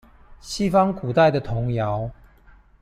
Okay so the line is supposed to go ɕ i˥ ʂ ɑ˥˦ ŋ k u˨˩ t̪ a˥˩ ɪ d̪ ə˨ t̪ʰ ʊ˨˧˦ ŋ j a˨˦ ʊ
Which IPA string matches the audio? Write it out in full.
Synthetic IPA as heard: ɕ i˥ f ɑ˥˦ ŋ k u˨˩ t̪ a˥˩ ɪ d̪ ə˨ t̪ʰ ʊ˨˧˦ ŋ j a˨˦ ʊ